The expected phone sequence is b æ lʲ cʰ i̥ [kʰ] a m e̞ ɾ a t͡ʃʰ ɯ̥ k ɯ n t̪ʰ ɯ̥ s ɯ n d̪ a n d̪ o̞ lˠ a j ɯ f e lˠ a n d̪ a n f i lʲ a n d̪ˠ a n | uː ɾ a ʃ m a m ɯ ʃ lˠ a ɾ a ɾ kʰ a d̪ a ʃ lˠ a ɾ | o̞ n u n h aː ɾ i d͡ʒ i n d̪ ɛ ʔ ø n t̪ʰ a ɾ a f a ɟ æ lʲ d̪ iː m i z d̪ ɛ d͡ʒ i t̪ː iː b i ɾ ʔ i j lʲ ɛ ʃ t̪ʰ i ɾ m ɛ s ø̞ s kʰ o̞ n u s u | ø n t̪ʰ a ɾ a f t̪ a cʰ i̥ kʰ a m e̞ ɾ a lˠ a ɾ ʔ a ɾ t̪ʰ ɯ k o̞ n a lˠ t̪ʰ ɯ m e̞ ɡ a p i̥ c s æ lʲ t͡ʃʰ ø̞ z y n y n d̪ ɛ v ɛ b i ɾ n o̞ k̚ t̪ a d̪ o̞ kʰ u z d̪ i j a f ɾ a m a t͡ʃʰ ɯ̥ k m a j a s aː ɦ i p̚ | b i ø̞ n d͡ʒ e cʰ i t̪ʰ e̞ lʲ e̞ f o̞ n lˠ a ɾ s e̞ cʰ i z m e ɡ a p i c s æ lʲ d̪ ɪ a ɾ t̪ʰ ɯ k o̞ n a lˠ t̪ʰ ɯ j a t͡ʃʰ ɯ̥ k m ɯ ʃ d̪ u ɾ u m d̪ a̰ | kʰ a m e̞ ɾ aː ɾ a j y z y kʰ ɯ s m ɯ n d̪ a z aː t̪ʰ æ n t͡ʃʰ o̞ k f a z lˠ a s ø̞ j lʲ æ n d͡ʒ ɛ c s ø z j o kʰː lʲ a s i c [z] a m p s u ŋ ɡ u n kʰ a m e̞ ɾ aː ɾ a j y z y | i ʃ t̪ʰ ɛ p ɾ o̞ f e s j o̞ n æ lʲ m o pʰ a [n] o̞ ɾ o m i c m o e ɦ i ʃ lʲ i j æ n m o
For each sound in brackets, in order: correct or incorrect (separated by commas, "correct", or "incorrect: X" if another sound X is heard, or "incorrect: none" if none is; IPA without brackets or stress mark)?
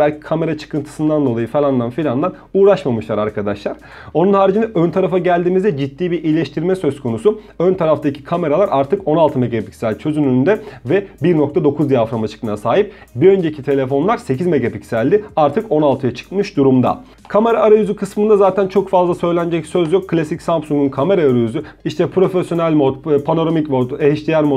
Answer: correct, incorrect: s, correct